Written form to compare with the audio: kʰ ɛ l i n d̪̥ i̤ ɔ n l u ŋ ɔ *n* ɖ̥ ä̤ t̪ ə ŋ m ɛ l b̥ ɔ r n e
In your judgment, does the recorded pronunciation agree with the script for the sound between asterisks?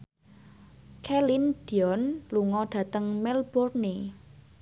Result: no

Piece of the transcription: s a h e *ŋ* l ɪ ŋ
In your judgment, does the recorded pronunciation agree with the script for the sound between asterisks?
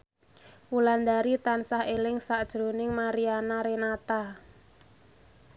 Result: no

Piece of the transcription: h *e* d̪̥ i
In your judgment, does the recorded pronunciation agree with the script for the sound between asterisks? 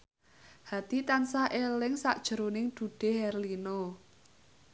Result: no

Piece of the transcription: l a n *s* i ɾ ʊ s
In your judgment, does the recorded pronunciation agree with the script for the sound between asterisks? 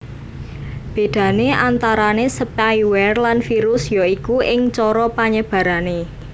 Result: no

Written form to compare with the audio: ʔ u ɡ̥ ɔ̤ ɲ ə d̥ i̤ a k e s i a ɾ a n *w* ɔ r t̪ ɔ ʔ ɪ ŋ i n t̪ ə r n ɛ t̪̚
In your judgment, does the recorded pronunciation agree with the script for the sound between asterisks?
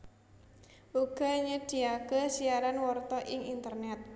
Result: yes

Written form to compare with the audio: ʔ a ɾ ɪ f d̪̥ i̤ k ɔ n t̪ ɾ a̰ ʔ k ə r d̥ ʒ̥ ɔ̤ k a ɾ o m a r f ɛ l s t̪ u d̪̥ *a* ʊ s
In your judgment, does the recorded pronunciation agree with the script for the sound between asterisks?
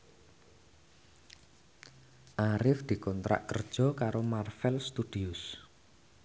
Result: no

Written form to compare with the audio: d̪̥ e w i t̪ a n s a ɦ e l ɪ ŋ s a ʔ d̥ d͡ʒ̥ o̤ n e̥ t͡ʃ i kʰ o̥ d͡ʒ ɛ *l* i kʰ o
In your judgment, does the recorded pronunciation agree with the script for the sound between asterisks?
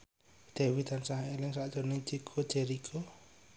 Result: no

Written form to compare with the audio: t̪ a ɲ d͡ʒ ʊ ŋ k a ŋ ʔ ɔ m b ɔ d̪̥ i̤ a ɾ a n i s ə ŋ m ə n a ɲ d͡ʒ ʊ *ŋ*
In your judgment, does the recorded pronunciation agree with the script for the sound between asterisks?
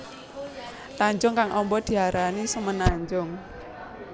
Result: yes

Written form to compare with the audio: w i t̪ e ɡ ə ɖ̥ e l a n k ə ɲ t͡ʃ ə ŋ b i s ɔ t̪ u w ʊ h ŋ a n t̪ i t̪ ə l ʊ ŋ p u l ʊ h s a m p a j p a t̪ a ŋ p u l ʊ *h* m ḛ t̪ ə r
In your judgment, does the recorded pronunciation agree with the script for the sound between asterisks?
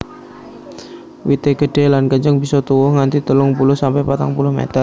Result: yes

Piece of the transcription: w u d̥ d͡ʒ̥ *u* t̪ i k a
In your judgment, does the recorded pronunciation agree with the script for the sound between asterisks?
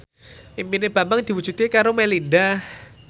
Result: yes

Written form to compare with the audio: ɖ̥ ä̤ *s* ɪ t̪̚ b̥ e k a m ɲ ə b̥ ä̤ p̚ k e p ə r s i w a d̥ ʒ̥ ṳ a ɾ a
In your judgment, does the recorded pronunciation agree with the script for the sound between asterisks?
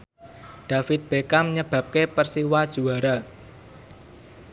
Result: no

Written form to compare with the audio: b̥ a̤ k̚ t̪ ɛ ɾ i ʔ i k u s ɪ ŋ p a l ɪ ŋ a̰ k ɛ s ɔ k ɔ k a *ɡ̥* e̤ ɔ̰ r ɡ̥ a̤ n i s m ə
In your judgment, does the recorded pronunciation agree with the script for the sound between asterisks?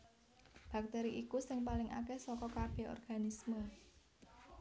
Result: no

